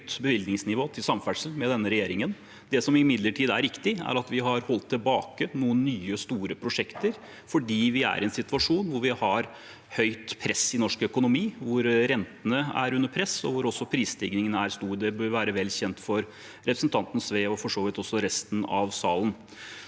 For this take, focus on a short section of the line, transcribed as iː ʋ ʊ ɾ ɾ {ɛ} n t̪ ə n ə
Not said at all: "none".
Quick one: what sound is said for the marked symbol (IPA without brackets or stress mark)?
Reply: ɛ